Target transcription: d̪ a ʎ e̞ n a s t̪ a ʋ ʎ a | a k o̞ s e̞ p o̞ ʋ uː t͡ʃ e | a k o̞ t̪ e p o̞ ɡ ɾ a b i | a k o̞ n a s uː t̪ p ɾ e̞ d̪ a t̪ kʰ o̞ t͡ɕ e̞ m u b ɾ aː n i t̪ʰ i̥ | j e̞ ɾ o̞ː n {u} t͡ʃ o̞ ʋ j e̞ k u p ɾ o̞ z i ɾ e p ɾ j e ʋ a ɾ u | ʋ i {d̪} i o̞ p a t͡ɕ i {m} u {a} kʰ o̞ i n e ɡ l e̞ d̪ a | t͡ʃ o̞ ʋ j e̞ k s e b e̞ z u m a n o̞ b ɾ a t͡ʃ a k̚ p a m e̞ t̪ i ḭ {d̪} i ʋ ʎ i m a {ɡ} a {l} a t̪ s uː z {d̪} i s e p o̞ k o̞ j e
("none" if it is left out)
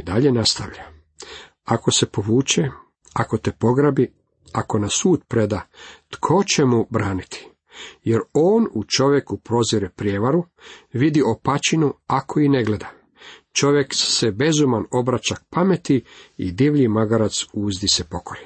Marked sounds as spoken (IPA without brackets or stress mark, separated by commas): u, d̪, n, a, d̪, ɡ, ɾ, d̪